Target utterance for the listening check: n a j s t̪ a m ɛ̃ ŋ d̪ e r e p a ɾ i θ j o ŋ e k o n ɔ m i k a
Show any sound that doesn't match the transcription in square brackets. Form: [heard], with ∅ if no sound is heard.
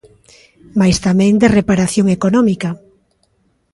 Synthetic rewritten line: [m] a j s t̪ a m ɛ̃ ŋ d̪ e r e p a ɾ [a] θ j o ŋ e k o n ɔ m i k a